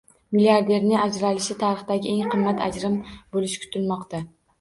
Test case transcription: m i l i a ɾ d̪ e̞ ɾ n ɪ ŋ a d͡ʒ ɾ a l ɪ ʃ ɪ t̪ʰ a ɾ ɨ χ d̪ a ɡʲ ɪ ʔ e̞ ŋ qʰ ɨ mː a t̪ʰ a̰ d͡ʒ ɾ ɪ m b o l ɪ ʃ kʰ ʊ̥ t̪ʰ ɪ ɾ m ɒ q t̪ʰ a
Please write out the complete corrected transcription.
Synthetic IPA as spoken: m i l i a ɾ d̪ e̞ ɾ n ɪ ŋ a d͡ʒ ɾ a l ɪ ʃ ɪ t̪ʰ a ɾ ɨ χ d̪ a ɡʲ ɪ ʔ e̞ ŋ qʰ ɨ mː a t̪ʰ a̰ d͡ʒ ɾ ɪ m b o l ɪ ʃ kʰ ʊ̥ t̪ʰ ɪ l m ɒ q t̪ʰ a